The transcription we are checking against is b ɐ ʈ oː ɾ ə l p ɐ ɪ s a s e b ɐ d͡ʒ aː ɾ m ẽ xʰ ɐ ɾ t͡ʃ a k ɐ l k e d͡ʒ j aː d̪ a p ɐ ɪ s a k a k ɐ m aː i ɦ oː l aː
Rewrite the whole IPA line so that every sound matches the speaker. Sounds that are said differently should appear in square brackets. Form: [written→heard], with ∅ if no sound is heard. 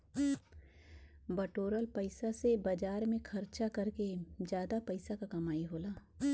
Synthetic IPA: b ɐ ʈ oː ɾ ə l p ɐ ɪ s a s e b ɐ d͡ʒ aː ɾ m ẽ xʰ ɐ ɾ t͡ʃ a k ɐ [l→ɾ] k e d͡ʒ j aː d̪ a p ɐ ɪ s a k a k ɐ m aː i ɦ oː l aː